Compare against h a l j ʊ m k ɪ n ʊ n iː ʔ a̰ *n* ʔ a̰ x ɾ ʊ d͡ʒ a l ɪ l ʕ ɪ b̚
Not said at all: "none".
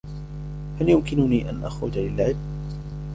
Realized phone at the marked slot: n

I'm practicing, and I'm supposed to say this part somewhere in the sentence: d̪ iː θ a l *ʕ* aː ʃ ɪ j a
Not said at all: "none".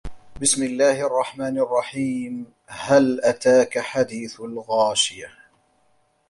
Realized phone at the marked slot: ɣ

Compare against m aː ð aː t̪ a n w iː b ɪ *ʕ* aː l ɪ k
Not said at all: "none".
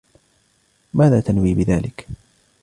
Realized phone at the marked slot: ð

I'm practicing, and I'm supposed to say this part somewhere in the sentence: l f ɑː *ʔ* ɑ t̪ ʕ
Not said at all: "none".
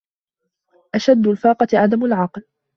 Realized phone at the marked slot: q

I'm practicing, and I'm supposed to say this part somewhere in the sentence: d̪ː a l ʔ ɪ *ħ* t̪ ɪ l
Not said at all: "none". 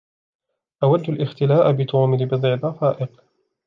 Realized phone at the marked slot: x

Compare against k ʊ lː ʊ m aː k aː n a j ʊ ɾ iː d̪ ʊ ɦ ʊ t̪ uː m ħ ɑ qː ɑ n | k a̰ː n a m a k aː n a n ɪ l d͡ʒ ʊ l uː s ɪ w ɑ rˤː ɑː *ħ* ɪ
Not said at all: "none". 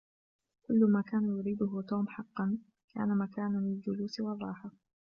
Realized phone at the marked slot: ħ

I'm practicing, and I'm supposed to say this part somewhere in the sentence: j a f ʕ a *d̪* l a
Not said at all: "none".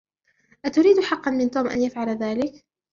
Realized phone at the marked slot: none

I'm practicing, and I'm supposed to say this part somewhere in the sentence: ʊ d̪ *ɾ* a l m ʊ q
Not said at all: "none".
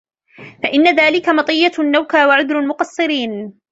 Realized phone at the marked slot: ɾ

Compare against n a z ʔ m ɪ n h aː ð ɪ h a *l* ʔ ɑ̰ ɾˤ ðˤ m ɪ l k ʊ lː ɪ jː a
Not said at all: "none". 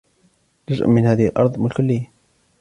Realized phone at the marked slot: l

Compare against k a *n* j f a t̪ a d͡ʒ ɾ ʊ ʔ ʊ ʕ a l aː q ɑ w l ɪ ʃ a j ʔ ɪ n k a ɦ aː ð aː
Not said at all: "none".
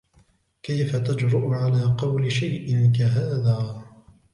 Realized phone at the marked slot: none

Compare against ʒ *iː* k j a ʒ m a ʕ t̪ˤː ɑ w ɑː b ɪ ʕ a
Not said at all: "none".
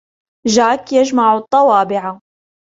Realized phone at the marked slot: aː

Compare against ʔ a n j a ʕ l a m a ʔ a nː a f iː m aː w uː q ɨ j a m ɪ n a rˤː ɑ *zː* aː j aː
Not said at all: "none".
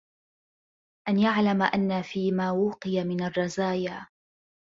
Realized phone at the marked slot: z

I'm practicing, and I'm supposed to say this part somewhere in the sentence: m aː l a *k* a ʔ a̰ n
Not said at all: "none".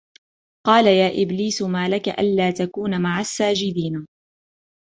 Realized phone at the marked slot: k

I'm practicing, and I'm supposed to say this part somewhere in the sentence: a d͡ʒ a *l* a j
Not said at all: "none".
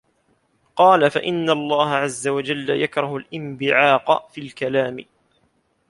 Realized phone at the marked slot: lː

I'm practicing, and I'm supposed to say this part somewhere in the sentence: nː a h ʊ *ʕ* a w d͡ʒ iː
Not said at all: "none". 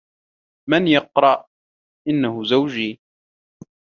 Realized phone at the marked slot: z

